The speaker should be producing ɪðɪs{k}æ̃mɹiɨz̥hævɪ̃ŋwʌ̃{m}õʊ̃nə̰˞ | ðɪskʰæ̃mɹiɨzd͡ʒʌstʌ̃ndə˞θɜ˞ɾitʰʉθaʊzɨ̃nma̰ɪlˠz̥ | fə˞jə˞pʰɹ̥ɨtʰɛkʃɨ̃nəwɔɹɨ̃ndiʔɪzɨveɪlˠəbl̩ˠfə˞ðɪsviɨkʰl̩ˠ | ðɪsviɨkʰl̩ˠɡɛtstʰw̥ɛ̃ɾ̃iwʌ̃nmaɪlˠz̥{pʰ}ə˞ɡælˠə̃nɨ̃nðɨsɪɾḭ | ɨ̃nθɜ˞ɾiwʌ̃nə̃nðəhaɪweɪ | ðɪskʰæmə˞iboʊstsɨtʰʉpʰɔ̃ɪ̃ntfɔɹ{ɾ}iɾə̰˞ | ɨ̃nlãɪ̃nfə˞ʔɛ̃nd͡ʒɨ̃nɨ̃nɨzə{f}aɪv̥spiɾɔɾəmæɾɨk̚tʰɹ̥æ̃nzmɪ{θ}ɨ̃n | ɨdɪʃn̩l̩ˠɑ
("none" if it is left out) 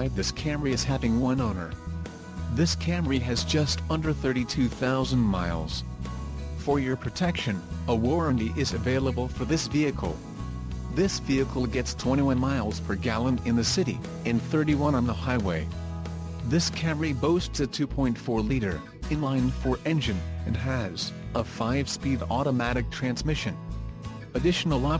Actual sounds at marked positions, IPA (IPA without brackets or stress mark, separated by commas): kʰ, n, pʰ, l, f, ʃ